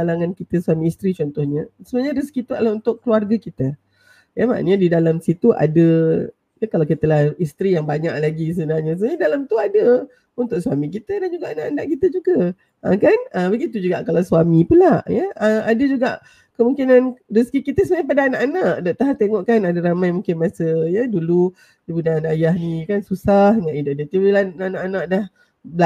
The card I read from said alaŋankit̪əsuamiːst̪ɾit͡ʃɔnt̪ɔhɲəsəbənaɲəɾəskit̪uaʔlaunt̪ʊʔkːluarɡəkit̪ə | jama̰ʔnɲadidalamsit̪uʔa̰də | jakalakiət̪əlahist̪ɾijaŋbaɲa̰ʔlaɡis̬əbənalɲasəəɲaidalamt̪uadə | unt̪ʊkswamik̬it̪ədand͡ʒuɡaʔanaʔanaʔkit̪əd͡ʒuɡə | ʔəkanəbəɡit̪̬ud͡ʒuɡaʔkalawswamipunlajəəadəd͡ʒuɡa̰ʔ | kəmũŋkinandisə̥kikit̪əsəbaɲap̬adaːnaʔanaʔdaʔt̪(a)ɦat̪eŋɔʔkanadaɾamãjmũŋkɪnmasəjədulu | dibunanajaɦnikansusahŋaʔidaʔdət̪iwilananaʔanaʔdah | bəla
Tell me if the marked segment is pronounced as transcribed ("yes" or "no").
yes